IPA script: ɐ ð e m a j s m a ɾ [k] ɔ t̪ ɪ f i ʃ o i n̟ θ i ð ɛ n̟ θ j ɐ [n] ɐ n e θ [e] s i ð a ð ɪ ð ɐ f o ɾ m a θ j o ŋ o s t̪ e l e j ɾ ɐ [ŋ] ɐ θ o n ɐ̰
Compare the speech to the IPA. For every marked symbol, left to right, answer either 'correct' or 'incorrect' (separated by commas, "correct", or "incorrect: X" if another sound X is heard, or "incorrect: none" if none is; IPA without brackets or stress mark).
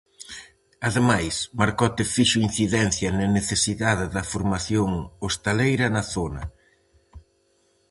correct, correct, correct, incorrect: n